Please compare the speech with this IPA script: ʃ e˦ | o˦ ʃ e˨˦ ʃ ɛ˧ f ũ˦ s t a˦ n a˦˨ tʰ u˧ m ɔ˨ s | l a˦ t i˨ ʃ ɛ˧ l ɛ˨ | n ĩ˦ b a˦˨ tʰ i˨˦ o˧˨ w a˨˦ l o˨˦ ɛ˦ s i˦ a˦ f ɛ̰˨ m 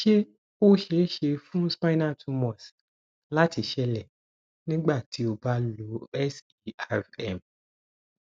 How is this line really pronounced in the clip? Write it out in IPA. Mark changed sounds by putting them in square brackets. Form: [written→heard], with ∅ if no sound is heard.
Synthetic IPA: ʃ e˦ | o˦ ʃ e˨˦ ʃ [ɛ˧→e˧] f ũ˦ s [t→p] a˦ n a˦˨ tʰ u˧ m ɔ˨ s | l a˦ t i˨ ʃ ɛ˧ l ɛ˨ | n ĩ˦ [b→ɡ͡b] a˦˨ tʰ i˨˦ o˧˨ [w→b] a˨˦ l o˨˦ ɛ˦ s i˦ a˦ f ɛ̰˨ m